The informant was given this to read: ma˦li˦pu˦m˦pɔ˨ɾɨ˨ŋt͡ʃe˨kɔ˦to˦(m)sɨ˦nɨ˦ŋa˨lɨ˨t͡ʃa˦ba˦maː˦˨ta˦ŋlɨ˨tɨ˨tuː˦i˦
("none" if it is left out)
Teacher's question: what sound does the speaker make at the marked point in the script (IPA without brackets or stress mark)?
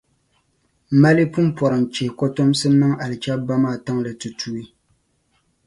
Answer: m